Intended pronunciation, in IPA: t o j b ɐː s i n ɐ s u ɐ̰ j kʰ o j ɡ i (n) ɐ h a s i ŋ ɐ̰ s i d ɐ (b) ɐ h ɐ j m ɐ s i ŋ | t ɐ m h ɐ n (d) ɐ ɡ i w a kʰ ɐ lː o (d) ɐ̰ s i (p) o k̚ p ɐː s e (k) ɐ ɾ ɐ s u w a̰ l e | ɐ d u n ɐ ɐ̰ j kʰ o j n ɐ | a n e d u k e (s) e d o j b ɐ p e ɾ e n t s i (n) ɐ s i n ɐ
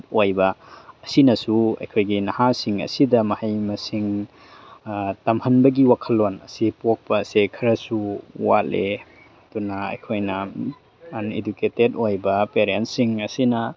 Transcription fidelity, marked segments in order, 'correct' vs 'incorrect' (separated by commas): correct, incorrect, incorrect, incorrect, correct, incorrect, incorrect, incorrect